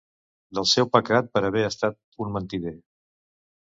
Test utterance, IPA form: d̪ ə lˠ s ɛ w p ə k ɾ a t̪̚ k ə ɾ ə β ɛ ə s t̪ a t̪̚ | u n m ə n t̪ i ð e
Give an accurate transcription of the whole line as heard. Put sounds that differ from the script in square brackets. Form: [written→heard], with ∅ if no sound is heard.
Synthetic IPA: d̪ ə lˠ s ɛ w p ə k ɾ a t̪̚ [k→p] ə ɾ ə β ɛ ə s t̪ a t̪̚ | u n m ə n t̪ i ð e